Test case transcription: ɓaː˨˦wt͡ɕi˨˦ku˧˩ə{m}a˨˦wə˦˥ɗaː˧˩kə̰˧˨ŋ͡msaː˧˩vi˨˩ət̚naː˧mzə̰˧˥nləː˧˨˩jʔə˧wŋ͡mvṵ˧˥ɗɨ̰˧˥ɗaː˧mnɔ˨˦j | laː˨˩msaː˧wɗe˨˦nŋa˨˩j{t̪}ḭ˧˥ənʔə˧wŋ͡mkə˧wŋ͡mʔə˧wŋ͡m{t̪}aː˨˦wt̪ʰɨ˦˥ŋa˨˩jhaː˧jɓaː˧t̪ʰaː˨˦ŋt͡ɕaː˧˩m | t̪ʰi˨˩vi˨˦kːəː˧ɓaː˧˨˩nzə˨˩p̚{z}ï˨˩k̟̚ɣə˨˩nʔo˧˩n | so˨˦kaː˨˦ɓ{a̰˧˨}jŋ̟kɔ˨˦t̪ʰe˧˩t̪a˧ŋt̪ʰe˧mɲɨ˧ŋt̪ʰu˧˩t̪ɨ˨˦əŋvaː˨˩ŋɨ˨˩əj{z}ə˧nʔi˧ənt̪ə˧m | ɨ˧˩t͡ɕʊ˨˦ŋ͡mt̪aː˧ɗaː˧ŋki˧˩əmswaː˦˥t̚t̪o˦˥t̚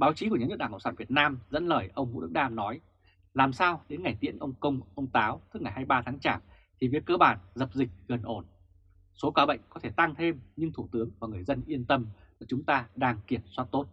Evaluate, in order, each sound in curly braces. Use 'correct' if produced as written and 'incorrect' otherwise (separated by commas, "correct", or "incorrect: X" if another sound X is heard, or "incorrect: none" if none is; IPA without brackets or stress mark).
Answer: incorrect: ɲ, correct, correct, correct, incorrect: ə̰˧˨, correct